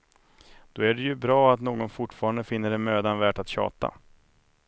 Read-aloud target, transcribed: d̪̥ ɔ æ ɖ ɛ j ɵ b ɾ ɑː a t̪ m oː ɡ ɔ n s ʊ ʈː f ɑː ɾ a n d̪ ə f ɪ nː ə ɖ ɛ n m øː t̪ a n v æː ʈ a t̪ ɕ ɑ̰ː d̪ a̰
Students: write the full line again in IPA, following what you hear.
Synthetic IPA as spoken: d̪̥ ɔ æ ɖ ɛ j ɵ b ɾ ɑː a t̪ n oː ɡ ɔ n f ʊ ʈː f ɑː ɾ a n d̪ ə f ɪ nː ə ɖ ɛ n m øː d̪ a n v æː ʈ a t̪ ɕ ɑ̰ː t̪ a̰